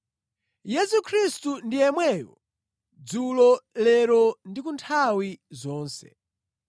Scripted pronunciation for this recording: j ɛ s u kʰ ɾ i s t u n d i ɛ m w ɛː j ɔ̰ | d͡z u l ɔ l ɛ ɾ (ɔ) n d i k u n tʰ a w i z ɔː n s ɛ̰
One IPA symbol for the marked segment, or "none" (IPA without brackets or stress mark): ɔ